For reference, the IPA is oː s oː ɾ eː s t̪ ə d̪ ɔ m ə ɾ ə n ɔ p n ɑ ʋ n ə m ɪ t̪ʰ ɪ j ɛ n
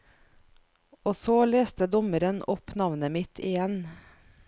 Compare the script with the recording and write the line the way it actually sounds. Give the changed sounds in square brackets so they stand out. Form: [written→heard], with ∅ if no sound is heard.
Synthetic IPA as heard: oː s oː [ɾ→l] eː s t̪ ə d̪ ɔ m ə ɾ ə n ɔ p n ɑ ʋ n ə m ɪ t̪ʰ ɪ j ɛ n